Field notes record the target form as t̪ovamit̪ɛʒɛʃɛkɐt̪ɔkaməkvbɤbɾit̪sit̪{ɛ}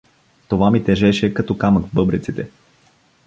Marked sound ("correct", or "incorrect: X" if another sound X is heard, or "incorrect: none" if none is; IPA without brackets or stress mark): correct